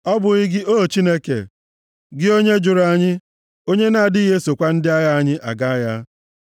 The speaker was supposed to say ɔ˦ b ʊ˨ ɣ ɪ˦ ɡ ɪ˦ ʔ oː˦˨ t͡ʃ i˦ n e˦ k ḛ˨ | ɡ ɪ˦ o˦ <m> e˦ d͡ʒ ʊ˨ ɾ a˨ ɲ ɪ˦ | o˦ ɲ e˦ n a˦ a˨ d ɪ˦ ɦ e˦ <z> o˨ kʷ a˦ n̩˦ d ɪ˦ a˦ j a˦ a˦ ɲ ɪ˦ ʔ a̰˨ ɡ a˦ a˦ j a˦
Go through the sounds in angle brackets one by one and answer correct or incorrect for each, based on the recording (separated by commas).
incorrect, incorrect